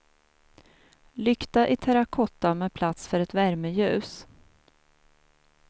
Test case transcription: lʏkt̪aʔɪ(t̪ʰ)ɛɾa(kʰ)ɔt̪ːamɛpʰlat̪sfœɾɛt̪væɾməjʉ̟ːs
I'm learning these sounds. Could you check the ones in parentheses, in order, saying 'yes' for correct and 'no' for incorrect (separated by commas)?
yes, yes